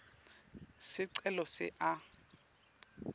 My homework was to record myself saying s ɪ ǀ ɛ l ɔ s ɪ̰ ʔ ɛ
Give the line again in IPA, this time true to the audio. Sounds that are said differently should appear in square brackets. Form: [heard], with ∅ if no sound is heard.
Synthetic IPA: s ɪ ǀ ɛ l ɔ s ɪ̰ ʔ [a]